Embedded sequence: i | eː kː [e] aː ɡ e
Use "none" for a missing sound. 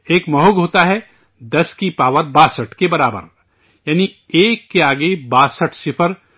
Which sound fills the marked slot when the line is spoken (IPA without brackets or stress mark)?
e